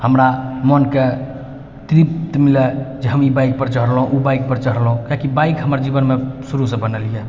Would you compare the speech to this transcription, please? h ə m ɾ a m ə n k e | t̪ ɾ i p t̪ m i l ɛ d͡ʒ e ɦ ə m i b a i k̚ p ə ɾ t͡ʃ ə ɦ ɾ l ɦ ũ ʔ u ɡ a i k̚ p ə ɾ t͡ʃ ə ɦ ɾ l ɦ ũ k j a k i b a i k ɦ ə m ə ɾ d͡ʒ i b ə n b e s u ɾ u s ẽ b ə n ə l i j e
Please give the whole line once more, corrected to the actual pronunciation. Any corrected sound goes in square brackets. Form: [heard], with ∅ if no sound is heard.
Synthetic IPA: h ə m ɾ a m ə n k e | t̪ ɾ i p t̪ m i l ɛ d͡ʒ e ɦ ə m i b a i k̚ p ə ɾ t͡ʃ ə ɦ ɾ l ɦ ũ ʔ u [b] a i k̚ p ə ɾ t͡ʃ ə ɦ ɾ l ɦ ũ k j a k i b a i k ɦ ə m ə ɾ d͡ʒ i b ə n [m] e s u ɾ u s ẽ b ə n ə l i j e